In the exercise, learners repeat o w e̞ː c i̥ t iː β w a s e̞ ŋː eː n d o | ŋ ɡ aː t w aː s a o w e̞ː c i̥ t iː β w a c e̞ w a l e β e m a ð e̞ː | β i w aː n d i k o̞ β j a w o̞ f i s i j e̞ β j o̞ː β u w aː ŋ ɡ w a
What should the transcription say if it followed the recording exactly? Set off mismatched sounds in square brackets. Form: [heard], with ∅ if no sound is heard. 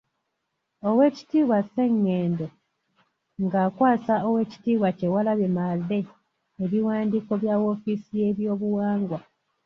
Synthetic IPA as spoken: o w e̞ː c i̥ t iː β w a s e̞ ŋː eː n d o | ŋ ɡ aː [k] w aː s a o w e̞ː c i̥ t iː β w a c e̞ w a l [a] β e m a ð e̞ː | β i w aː n d i k o̞ β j a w o̞ f i s i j e̞ β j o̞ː β u w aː ŋ ɡ w a